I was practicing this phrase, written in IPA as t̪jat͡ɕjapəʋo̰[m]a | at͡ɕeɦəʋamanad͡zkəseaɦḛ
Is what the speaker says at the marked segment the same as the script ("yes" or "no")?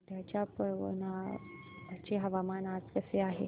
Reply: no